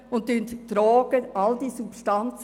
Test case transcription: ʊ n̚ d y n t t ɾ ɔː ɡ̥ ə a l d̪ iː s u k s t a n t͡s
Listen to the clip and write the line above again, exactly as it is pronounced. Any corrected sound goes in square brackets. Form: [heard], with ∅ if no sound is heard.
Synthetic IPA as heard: ʊ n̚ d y n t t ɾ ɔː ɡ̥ ə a l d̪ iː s u [p] s t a n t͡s